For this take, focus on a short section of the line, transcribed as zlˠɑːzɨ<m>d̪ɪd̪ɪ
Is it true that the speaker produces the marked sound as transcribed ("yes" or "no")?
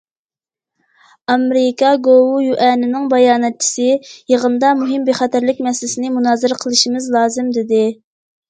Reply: yes